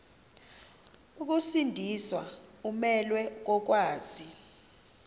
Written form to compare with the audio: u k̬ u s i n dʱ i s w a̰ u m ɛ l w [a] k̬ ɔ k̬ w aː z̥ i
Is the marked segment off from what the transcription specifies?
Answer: yes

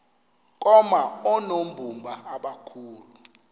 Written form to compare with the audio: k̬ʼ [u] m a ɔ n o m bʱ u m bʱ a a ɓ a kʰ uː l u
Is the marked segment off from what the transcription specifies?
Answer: yes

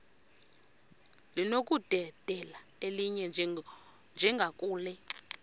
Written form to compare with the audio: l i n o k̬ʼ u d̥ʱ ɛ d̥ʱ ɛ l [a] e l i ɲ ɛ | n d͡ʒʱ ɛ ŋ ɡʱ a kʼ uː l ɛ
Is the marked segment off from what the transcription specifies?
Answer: no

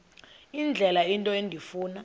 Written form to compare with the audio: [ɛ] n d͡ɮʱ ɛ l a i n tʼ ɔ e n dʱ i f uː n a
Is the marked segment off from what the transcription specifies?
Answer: yes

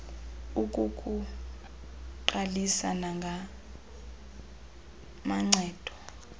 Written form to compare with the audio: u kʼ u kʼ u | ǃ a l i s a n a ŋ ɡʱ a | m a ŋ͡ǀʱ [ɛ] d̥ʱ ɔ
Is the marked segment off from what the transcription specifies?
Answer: yes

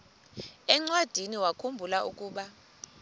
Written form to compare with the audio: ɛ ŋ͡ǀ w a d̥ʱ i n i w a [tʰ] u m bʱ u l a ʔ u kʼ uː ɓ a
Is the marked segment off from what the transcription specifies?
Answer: yes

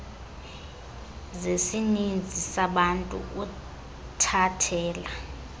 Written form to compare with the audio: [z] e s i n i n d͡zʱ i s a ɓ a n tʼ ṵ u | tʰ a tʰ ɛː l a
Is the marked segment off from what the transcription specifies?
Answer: no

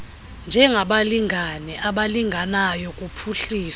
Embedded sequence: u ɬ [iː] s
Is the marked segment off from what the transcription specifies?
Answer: no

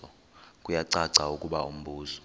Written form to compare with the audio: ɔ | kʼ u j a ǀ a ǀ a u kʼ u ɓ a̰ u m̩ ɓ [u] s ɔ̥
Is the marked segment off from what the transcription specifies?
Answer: yes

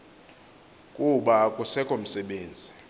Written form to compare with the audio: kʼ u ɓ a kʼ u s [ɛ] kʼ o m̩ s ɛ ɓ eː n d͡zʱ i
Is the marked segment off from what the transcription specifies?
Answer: no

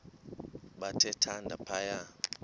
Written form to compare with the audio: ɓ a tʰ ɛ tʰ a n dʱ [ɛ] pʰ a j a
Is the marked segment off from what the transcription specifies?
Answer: yes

